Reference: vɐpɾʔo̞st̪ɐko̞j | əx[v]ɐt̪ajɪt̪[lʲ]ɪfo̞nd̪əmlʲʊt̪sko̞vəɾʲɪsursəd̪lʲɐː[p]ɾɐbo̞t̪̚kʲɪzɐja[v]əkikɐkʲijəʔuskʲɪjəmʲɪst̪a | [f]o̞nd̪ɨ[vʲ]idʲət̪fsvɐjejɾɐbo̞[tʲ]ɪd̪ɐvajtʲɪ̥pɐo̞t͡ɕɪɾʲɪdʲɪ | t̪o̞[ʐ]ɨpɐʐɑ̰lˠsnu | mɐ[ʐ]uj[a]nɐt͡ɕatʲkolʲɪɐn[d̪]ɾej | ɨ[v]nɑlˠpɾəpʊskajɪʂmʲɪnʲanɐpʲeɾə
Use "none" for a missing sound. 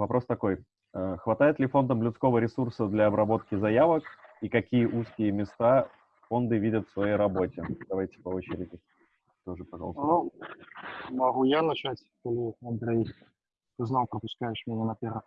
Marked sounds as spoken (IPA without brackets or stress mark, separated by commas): v, lʲ, b, v, f, vʲ, tʲ, ʐ, ɣ, a, d̪, z